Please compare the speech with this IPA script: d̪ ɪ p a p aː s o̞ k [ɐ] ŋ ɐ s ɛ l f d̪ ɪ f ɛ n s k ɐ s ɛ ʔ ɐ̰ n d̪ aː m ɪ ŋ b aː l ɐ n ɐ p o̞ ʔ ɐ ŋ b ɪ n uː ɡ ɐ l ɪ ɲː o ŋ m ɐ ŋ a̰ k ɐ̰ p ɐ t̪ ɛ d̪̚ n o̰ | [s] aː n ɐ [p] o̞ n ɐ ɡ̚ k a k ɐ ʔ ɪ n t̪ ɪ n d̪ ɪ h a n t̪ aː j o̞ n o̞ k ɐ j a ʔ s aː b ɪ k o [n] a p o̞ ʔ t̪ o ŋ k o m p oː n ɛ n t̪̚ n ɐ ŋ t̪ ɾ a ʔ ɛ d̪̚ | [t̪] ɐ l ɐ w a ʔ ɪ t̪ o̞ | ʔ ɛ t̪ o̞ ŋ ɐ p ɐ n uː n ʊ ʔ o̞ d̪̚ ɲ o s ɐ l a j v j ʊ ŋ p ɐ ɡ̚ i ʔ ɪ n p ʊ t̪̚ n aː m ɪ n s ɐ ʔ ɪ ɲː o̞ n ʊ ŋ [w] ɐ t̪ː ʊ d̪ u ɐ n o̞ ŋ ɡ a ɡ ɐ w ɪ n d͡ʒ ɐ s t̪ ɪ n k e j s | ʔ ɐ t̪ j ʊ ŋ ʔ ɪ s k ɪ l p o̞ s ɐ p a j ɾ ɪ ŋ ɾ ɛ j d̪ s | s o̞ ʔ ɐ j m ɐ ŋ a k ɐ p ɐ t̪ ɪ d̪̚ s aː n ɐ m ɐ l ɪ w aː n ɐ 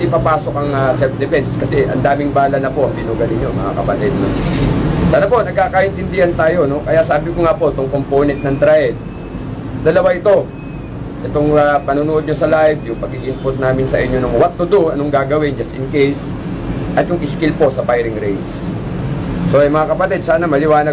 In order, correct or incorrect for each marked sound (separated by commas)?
correct, correct, correct, incorrect, incorrect, correct